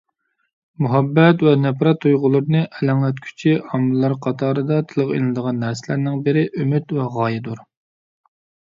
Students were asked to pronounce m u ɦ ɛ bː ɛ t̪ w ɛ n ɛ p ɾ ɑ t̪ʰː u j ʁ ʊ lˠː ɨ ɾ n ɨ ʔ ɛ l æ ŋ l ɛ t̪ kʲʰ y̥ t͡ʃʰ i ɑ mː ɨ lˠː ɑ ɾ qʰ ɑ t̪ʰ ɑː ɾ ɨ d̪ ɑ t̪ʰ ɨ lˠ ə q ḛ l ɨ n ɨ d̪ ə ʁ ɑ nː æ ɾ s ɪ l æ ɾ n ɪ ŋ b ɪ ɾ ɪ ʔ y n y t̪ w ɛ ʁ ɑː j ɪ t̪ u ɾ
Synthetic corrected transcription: m u ɦ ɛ bː ɛ t̪ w ɛ n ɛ p ɾ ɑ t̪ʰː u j ʁ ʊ lˠ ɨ ɾ n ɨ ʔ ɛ l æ ŋ l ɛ t̪ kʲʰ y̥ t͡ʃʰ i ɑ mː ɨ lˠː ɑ ɾ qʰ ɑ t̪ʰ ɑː ɾ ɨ d̪ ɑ t̪ʰ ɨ lˠ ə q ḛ l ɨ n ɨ d̪ ə ʁ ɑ nː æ ɾ s ɪ l æ ɾ n ɪ ŋ b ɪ ɾ ɪ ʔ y m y t̪ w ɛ ʁ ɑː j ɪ d̪ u ɾ

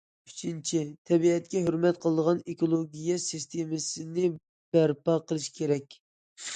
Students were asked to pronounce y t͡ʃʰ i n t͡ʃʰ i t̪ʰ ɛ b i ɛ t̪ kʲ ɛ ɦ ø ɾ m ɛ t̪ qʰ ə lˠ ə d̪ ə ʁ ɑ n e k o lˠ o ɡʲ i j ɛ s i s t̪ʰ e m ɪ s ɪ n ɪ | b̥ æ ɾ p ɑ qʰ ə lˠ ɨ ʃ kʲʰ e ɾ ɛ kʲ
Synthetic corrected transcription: y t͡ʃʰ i n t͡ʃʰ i t̪ʰ ɛ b i ɛ t̪ kʲ ɛ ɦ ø ɾ m ɛ t̪ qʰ ə lˠ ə d̪ ə ʁ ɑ n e k o lˠ o ɡʲ i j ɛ s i s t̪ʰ e m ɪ s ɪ n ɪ | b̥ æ ɾ p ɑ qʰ ə lˠ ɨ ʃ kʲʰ e ɾ ɛ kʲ

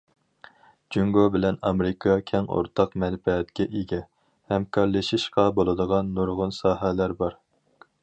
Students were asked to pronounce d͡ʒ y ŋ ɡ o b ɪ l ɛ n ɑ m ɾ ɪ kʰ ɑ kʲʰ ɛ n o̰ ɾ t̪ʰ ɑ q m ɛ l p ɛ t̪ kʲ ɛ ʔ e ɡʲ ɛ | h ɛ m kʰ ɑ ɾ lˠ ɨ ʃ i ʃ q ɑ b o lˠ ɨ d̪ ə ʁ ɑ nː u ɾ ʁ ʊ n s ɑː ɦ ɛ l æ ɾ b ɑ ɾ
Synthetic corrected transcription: d͡ʒ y ŋ ɡ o b ɪ l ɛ n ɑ m ɾ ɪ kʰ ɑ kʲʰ ɛ ŋ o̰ ɾ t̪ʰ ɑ q m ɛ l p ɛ t̪ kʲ ɛ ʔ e ɡʲ ɛ | h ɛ m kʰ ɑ ɾ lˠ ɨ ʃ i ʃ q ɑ b o lˠ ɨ d̪ ə ʁ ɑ nː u ɾ ʁ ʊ n s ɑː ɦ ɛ l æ ɾ b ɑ ɾ

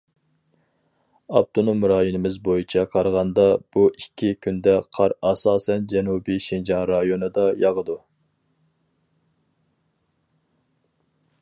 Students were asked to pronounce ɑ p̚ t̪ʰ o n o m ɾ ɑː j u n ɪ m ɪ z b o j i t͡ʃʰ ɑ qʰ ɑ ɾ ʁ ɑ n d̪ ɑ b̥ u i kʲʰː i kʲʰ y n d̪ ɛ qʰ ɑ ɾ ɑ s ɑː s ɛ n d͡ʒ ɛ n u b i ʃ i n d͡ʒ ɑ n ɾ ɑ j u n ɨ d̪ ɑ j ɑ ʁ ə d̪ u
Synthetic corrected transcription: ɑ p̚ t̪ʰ o n o m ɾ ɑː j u n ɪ m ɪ z b o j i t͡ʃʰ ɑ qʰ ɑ ɾ ʁ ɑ n d̪ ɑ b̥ u i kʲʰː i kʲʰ y n d̪ ɛ qʰ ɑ ɾ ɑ s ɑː s ɛ n d͡ʒ ɛ n u b i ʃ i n d͡ʒ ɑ n ɾ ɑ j o n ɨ d̪ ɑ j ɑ ʁ ə d̪ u

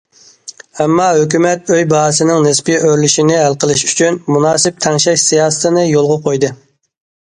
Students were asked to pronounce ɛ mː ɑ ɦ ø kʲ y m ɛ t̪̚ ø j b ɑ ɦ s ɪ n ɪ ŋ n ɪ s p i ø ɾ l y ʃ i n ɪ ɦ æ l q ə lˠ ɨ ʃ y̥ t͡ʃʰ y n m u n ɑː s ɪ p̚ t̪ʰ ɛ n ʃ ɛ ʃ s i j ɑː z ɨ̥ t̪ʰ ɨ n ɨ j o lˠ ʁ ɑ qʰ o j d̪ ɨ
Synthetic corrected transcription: ɛ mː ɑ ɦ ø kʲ y m ɛ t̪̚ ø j b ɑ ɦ s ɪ n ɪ ŋ n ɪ s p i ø ɾ l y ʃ i n ɪ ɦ æ l q ə lˠ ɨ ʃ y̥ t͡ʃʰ y n m u n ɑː s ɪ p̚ t̪ʰ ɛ ŋ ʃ ɛ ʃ s i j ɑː s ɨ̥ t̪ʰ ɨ n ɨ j o lˠ ʁ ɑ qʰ o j d̪ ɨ

